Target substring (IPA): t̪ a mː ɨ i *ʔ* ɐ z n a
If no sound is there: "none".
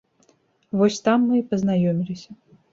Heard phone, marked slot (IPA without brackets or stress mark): p